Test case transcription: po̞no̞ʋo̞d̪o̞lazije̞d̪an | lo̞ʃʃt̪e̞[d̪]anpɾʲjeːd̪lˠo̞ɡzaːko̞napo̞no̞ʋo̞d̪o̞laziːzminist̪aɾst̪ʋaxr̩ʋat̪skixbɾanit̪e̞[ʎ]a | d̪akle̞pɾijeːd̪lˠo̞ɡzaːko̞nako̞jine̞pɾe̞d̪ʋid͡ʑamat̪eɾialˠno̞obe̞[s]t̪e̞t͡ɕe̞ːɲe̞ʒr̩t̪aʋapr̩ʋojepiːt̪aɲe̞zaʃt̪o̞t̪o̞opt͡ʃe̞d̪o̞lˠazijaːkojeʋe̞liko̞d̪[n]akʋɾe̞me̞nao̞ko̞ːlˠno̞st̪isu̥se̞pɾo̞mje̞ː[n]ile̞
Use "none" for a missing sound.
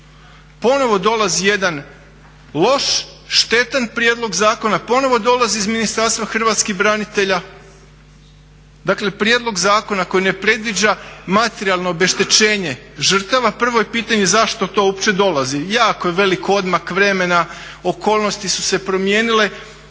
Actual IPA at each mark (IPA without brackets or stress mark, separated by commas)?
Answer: t̪, ʎ, ʃ, m, n